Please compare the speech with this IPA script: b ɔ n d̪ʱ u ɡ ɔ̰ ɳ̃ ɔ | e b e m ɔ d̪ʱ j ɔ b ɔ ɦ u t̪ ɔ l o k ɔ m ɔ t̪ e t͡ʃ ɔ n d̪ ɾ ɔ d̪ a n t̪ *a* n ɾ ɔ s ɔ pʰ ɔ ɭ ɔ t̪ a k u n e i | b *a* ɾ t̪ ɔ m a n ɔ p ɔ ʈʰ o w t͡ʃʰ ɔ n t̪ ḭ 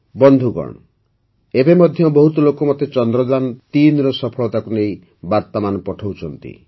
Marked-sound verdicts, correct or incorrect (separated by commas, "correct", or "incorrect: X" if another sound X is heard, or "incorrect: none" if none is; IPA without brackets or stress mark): incorrect: i, correct